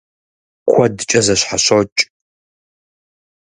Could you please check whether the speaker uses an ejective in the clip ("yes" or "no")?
yes